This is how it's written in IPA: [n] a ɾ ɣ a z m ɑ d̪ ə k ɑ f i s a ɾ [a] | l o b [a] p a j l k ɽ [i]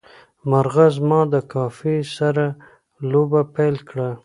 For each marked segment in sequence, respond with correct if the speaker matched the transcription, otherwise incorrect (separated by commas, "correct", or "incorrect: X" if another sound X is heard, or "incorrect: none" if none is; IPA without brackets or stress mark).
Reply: incorrect: m, correct, correct, incorrect: a